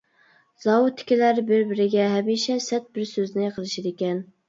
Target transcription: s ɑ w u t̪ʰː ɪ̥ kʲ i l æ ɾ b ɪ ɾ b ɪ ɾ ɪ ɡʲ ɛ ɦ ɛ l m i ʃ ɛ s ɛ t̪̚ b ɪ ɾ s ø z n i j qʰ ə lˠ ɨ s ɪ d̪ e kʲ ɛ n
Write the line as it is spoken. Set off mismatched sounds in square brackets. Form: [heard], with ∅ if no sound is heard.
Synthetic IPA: [z] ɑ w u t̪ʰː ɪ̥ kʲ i l æ ɾ b ɪ ɾ b ɪ ɾ ɪ ɡʲ ɛ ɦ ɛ [∅] m i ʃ ɛ s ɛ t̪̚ b ɪ ɾ s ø z n [ɪ] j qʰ ə lˠ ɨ [ʃ] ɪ d̪ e kʲ ɛ n